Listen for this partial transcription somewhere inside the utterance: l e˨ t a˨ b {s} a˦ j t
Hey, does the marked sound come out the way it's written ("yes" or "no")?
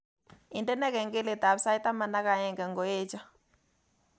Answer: yes